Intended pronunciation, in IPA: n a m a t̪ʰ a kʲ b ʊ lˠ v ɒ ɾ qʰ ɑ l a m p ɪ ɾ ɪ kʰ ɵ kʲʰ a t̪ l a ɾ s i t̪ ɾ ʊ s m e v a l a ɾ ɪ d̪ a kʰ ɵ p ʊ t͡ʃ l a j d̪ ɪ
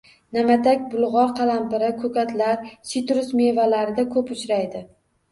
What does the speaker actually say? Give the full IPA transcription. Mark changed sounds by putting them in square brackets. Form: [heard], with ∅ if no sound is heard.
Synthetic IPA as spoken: n a m a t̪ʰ a kʲ b ʊ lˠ [ʁ] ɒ ɾ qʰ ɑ l a m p ɪ ɾ ɪ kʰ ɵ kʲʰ a t̪ l a ɾ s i t̪ ɾ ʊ s m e v a l a ɾ ɪ d̪ a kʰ ɵ p ʊ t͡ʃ [ɾ] a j d̪ ɪ

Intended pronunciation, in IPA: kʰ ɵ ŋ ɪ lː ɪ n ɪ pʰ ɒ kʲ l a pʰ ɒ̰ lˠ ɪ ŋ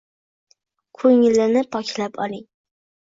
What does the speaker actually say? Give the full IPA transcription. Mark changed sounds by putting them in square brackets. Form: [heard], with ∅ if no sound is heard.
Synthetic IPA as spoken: kʰ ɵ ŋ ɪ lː ɪ n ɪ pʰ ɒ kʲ l a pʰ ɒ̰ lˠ ɪ ŋ

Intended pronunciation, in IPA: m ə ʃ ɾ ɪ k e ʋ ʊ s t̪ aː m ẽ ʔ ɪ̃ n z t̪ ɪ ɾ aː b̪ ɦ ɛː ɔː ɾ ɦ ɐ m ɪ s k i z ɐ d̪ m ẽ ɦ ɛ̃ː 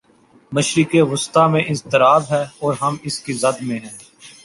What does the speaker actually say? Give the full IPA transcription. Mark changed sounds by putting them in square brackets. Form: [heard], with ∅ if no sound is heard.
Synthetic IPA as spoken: m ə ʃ ɾ ɪ k e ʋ ʊ s t̪ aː m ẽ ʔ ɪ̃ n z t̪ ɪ ɾ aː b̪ ɦ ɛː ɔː ɾ ɦ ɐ m ɪ s k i z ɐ d̪ m ẽ ɦ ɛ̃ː

